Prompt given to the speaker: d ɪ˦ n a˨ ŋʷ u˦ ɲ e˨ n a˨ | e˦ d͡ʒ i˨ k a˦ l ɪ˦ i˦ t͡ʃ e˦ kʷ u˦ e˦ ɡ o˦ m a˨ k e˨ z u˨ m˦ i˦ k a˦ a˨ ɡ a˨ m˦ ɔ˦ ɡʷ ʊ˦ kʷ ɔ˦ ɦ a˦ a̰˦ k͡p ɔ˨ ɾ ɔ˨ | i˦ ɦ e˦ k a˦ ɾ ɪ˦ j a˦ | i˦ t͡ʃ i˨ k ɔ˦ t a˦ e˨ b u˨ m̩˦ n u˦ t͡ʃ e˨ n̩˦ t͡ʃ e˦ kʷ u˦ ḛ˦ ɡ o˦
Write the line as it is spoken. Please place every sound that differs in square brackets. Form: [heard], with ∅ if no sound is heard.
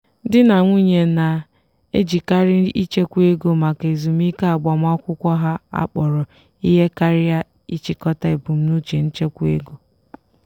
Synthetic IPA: d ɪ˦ n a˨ ŋʷ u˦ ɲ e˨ n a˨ | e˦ d͡ʒ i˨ k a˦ [ɾ] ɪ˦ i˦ t͡ʃ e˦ kʷ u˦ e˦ ɡ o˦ m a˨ k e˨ z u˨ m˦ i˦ k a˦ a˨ [ɡ͡b] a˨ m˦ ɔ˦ [kʷ] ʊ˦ kʷ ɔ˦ ɦ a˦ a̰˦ k͡p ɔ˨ ɾ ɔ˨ | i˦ ɦ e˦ k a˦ ɾ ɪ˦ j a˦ | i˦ t͡ʃ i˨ k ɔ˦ t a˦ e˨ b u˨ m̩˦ n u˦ t͡ʃ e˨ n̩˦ t͡ʃ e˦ kʷ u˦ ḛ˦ ɡ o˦